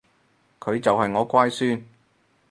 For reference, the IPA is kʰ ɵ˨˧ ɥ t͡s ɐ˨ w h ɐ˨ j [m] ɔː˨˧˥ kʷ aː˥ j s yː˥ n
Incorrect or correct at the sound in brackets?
incorrect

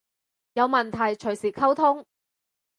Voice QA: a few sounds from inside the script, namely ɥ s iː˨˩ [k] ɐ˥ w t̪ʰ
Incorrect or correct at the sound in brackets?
incorrect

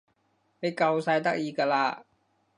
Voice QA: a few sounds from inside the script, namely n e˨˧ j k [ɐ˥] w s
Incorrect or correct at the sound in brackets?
incorrect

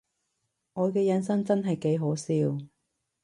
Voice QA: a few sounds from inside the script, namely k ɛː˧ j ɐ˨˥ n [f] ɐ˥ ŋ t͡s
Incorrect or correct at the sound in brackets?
incorrect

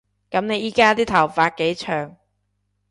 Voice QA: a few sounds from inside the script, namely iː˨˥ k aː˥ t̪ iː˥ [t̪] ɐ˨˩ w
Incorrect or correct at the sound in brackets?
incorrect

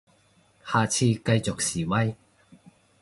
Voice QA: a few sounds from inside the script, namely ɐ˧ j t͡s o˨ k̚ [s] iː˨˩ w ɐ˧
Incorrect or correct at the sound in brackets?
correct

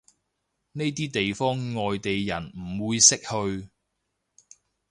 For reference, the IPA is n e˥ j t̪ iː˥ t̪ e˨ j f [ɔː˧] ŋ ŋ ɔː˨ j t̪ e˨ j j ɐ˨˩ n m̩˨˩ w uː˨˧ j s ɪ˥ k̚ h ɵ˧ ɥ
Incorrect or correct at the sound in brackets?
incorrect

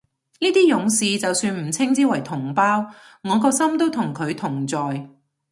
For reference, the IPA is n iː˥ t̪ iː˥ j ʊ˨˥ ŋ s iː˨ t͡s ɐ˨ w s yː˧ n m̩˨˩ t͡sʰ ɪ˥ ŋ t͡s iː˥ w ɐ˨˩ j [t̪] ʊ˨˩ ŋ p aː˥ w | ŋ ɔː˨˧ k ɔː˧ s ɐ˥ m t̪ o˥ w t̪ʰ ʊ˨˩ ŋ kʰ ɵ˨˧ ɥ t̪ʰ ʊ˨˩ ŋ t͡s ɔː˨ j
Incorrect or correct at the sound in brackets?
incorrect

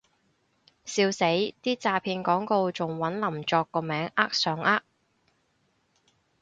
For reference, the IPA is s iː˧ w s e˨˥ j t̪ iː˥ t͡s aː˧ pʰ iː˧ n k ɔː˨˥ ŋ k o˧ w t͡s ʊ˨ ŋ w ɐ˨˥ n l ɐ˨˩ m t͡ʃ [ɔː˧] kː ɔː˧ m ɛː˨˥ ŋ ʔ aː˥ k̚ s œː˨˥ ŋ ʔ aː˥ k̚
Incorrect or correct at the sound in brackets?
correct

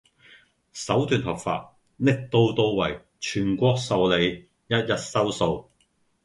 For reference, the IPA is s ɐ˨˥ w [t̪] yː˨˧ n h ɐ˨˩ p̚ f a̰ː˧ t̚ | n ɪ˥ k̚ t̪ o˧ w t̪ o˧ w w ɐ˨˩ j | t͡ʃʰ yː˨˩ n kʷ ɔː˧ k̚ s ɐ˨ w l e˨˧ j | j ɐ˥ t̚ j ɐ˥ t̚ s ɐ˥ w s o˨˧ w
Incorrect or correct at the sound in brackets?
correct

